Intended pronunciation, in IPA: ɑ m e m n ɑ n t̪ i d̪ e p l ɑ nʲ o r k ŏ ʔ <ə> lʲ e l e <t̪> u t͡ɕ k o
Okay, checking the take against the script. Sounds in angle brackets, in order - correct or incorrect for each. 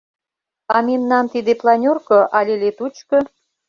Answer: incorrect: ɑ, correct

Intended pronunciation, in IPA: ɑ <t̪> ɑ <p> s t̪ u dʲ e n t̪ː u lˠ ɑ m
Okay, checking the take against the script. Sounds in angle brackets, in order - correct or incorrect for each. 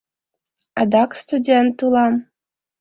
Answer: incorrect: d̪, incorrect: k

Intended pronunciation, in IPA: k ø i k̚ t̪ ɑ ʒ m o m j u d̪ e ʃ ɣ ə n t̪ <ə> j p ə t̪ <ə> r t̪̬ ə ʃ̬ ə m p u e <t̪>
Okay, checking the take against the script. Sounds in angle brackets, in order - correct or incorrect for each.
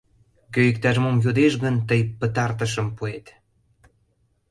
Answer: correct, incorrect: ɑ, correct

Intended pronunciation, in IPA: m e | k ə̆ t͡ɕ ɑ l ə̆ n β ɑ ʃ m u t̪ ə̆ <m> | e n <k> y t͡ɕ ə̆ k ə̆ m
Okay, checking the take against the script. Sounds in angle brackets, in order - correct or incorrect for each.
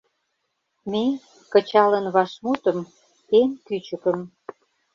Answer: correct, correct

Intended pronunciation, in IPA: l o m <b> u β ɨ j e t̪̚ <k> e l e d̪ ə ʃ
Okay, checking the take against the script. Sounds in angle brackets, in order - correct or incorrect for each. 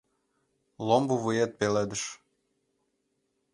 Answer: correct, incorrect: p

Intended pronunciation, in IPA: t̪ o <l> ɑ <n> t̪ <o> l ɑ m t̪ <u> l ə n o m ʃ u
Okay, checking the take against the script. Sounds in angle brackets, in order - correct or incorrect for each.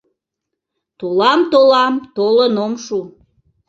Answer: correct, incorrect: m, correct, incorrect: o

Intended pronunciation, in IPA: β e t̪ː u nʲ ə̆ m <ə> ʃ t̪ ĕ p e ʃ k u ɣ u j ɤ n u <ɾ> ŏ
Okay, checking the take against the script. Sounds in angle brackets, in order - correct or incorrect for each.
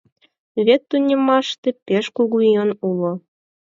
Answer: incorrect: ɑ, incorrect: l

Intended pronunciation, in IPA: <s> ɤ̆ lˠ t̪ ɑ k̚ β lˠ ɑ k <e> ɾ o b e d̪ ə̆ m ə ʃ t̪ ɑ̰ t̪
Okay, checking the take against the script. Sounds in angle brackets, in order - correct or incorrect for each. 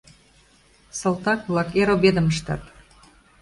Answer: correct, correct

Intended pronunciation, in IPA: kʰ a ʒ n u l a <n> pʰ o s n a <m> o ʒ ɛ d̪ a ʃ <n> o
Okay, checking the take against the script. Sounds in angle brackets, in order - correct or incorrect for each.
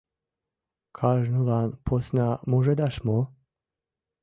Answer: correct, correct, incorrect: m

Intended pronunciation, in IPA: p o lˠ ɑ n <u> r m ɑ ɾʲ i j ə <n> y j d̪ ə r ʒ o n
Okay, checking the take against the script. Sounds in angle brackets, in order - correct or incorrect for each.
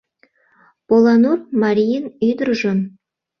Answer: correct, correct

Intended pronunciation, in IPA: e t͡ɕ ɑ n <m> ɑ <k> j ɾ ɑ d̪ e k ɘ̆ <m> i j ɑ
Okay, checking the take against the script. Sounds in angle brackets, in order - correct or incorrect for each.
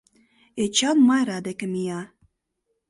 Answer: correct, incorrect: none, correct

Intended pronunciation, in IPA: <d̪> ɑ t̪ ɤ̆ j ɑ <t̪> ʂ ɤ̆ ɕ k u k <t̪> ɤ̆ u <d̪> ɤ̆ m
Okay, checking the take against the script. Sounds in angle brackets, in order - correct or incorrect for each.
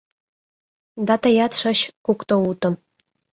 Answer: correct, correct, correct, incorrect: t̪

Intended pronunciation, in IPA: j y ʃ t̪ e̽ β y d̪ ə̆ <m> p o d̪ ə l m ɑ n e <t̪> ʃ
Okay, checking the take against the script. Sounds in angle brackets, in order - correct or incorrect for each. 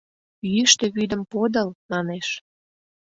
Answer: correct, incorrect: none

